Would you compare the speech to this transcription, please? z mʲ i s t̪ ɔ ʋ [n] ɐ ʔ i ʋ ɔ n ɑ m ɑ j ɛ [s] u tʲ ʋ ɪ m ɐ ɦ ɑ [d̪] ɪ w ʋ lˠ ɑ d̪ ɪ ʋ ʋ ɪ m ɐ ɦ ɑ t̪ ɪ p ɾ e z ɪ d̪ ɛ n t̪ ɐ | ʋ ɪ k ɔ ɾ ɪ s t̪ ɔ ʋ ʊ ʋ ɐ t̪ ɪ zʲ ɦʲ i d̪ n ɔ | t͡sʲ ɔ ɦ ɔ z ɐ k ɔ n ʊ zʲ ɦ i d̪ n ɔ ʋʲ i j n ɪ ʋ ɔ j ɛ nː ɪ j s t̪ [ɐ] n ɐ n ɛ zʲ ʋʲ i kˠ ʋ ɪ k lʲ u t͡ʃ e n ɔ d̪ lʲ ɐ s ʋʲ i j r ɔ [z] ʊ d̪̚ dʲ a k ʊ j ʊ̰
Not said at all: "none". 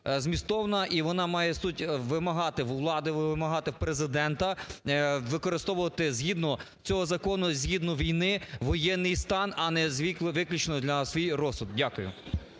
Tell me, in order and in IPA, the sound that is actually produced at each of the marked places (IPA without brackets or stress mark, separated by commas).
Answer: n, s, t̪, ɑ, s